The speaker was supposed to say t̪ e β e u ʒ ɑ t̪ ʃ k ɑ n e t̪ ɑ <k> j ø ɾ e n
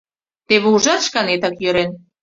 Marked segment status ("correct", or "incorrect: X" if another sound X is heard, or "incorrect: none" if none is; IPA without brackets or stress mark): correct